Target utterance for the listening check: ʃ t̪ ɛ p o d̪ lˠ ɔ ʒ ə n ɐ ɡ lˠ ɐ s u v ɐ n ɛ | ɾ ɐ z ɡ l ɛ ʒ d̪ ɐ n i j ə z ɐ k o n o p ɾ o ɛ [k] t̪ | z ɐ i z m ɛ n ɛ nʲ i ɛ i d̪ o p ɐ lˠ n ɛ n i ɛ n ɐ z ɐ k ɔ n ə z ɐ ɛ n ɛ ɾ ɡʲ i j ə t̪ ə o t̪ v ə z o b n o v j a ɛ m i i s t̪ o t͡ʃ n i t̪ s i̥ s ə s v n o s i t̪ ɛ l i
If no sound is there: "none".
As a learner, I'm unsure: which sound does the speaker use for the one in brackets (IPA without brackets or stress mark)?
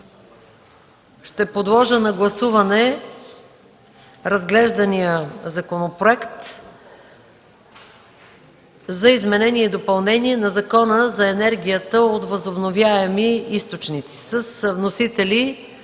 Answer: k